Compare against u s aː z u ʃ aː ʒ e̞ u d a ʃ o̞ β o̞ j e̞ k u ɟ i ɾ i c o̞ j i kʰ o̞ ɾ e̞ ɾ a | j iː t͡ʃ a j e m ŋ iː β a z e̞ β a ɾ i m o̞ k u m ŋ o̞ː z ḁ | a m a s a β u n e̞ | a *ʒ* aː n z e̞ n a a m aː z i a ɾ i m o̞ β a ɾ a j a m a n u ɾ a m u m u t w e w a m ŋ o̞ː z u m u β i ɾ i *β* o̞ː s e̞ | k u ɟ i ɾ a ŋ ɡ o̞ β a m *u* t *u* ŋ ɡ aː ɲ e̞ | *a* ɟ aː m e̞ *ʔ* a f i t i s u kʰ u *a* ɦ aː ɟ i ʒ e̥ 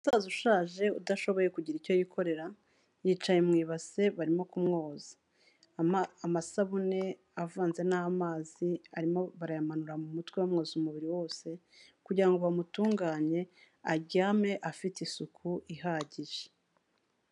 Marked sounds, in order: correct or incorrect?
incorrect, incorrect, correct, incorrect, correct, correct, incorrect

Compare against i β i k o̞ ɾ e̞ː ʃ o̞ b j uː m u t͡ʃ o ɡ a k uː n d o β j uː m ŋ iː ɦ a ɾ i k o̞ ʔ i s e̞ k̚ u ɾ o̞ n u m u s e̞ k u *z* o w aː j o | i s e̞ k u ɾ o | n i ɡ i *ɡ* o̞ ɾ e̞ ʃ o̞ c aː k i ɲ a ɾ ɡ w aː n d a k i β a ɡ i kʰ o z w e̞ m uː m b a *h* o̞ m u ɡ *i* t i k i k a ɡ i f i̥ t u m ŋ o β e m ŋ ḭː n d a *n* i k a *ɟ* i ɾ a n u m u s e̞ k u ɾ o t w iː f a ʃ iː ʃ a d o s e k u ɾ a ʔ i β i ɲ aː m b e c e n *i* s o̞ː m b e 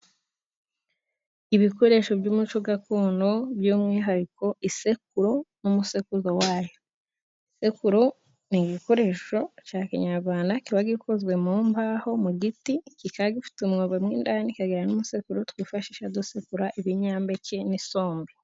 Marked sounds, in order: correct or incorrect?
correct, incorrect, correct, correct, correct, incorrect, correct

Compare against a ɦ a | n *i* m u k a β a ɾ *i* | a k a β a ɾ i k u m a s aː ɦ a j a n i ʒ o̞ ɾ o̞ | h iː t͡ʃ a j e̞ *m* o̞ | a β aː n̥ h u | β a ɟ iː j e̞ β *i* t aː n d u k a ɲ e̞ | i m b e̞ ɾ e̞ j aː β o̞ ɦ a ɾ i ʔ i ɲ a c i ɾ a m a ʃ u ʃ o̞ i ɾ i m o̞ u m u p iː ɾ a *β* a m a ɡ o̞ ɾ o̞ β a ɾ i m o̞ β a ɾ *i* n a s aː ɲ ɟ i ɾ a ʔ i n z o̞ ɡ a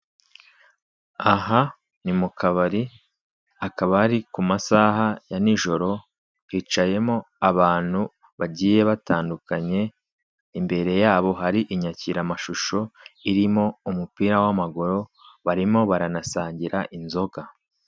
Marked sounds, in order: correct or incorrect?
correct, correct, correct, incorrect, incorrect, incorrect

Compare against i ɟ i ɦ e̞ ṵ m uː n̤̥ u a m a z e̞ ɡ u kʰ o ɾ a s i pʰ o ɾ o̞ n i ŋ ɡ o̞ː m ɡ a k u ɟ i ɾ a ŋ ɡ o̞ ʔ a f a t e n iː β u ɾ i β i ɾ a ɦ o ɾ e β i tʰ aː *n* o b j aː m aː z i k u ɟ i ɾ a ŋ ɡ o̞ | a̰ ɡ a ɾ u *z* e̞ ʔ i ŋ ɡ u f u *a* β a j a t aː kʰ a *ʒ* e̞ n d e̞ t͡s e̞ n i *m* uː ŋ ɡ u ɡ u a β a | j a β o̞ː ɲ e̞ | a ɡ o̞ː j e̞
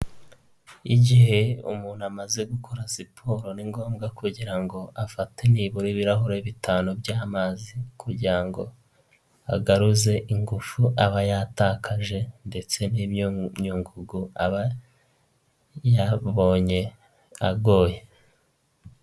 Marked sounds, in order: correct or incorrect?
correct, correct, correct, correct, incorrect

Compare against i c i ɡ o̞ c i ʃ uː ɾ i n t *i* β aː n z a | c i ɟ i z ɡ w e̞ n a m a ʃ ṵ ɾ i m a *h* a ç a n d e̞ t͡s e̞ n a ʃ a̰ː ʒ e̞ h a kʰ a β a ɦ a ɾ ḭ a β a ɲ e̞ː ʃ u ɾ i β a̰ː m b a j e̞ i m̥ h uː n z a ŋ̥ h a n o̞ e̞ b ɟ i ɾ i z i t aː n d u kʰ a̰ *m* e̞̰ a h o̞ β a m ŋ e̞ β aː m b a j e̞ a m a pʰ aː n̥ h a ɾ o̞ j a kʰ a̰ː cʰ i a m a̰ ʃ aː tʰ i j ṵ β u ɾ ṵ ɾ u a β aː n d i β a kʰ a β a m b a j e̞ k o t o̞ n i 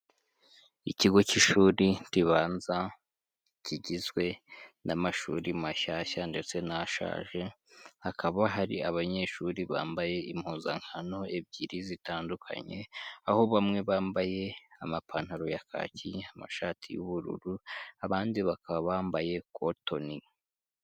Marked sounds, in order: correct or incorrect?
correct, incorrect, incorrect

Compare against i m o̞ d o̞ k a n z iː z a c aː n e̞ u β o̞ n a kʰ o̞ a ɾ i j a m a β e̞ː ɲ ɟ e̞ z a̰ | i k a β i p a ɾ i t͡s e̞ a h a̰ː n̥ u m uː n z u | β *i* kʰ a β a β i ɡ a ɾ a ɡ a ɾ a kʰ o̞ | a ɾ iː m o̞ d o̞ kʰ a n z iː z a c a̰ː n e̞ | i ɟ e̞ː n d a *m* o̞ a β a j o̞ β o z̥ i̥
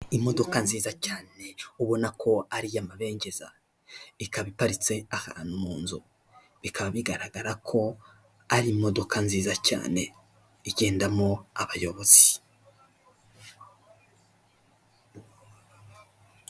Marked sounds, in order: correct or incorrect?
correct, correct

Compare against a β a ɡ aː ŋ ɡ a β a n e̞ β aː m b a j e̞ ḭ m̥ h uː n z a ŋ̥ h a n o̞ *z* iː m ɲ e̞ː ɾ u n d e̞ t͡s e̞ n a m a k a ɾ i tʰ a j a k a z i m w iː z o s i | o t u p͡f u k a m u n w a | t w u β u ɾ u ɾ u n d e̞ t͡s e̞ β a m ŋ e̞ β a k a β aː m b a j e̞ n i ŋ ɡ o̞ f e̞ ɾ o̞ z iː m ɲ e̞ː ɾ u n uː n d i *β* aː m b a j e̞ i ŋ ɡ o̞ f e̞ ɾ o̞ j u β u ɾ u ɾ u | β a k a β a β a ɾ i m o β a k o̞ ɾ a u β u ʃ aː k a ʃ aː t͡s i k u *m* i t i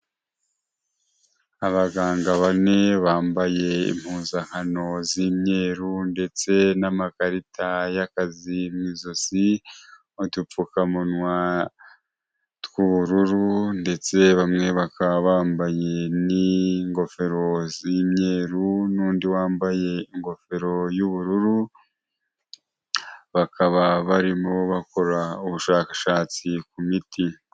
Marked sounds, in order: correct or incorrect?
correct, incorrect, correct

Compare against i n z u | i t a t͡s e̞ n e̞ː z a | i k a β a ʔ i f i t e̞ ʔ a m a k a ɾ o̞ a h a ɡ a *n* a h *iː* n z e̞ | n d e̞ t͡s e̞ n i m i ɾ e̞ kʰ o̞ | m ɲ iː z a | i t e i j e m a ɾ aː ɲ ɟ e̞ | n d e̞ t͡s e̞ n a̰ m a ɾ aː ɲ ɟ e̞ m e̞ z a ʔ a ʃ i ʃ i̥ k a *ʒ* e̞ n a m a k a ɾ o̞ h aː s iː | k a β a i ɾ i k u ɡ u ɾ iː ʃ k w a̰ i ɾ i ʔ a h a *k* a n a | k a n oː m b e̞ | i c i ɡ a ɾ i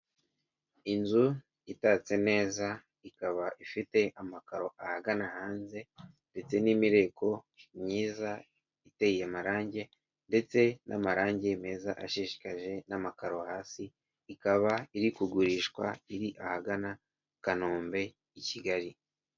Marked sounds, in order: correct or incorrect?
correct, incorrect, correct, incorrect

